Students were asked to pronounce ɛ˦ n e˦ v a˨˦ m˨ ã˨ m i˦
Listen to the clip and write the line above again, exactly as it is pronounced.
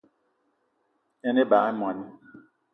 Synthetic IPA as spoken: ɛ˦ n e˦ b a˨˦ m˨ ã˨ n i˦